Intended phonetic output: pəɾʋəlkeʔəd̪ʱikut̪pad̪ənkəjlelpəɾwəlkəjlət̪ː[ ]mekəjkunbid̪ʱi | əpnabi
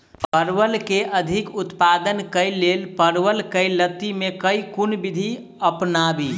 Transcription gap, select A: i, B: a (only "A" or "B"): A